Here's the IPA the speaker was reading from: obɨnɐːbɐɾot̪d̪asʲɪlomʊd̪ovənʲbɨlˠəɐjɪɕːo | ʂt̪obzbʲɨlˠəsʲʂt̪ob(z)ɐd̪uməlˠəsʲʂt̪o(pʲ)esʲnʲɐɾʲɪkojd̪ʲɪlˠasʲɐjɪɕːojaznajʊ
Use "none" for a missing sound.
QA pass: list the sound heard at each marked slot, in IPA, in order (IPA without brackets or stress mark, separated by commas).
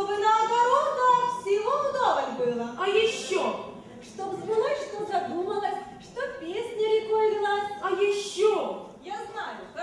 z, pʲ